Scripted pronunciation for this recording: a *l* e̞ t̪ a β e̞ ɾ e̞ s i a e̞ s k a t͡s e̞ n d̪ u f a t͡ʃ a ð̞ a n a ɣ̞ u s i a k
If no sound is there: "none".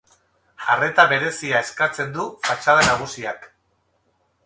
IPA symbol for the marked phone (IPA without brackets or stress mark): r